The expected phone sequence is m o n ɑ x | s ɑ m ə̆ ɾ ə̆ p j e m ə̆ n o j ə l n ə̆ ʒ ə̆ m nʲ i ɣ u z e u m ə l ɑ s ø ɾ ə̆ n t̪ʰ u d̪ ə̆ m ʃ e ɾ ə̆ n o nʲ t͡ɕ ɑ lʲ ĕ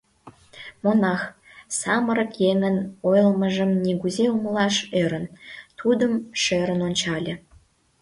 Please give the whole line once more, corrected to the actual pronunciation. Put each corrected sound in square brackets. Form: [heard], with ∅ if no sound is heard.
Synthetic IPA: m o n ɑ x | s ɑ m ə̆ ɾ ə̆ [k] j e [ŋ] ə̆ n o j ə l [m] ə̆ ʒ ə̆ m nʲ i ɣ u z e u m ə l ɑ [ʃ] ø ɾ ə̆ n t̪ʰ u d̪ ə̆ m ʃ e ɾ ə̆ n o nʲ t͡ɕ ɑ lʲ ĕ